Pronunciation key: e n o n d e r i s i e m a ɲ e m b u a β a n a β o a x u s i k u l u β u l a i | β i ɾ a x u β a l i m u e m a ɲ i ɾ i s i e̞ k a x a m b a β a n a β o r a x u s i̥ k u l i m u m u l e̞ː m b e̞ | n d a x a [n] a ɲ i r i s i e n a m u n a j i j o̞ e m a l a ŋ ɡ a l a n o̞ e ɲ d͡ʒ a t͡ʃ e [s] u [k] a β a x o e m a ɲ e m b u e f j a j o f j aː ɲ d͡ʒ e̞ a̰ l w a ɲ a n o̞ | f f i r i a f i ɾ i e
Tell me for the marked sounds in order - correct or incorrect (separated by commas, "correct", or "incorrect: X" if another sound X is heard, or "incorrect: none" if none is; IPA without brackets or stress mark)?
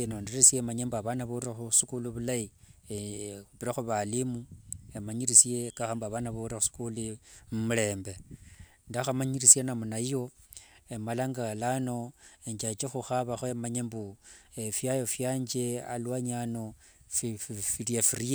incorrect: m, incorrect: x, incorrect: x